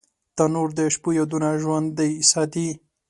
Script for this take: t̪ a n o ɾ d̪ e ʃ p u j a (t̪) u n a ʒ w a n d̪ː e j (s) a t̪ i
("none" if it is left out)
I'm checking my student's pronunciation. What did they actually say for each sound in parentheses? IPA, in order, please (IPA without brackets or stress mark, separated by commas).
d̪, s